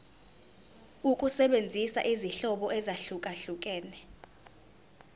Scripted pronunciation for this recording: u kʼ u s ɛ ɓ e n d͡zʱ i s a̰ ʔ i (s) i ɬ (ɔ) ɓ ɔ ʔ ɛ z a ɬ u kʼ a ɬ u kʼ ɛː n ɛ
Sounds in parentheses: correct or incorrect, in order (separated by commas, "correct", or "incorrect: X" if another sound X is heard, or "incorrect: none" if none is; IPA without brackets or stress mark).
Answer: incorrect: z, correct